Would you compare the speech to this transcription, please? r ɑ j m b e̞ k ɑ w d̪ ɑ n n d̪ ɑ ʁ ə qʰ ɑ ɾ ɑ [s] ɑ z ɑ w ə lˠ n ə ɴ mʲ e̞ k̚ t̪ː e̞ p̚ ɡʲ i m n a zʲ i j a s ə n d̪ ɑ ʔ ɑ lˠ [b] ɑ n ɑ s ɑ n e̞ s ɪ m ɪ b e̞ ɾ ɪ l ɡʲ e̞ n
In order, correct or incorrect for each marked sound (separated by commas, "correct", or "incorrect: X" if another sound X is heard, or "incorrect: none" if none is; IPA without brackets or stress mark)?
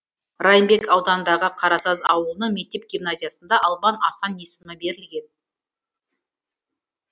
correct, correct